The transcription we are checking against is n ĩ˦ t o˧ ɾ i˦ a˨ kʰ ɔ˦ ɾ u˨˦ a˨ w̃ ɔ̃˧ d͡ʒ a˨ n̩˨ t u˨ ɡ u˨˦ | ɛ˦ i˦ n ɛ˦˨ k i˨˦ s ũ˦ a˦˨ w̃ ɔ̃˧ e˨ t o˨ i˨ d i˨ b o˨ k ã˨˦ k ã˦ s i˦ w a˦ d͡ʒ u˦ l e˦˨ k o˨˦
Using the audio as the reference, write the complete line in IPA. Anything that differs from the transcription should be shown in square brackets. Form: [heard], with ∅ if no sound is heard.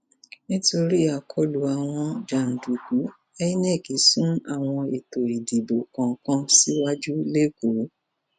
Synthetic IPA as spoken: n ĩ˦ t o˧ ɾ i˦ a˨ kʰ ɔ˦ [l] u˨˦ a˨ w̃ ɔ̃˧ d͡ʒ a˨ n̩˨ [d] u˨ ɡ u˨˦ | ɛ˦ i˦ n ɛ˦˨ k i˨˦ s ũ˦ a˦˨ w̃ ɔ̃˧ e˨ t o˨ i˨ d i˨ b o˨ k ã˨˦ k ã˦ s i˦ w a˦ d͡ʒ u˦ l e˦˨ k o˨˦

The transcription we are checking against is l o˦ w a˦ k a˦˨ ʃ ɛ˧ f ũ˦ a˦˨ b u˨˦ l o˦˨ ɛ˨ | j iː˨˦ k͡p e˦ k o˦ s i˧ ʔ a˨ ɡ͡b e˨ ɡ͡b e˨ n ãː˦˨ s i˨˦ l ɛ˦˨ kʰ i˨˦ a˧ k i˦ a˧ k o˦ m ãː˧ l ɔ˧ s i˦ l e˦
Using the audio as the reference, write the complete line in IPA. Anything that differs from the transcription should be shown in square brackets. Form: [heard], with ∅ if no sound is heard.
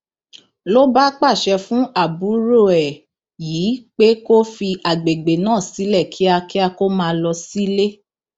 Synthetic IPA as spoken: l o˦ [b] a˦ [k͡p] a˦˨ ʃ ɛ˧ f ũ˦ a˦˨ b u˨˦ [ɾ] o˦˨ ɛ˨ | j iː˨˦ k͡p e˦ k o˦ [f] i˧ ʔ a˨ ɡ͡b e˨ ɡ͡b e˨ n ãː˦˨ s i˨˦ l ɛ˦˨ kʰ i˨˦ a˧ k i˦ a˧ k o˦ m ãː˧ l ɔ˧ s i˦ l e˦

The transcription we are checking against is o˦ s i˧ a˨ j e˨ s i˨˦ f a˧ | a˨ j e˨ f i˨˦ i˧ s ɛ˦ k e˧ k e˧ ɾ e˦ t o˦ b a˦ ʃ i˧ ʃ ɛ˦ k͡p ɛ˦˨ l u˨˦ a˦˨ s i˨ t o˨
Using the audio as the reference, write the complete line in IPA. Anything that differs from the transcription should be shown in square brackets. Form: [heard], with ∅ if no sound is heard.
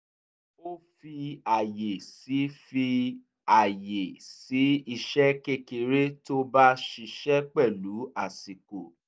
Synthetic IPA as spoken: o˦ [f] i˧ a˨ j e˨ s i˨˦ f [i˧] | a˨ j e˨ [s] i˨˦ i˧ [ʃ] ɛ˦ k e˧ k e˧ ɾ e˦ t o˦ b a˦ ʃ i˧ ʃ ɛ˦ k͡p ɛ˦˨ l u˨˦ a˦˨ s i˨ [k] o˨

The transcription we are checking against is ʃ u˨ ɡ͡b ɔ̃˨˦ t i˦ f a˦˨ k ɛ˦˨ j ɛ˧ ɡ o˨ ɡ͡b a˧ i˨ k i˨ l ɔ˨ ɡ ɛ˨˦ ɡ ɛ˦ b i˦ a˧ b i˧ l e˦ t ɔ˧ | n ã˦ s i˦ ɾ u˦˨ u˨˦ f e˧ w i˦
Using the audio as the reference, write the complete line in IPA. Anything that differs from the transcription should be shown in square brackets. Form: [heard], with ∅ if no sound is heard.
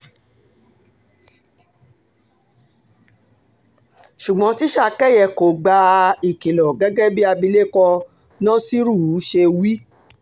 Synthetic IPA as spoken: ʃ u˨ ɡ͡b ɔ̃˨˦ t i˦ [ʃ] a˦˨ k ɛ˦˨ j ɛ˧ [k] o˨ ɡ͡b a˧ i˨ k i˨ l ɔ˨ ɡ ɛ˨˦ ɡ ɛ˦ b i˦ a˧ b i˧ l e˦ [k] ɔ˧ | n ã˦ s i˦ ɾ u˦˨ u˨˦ [ʃ] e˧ w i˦

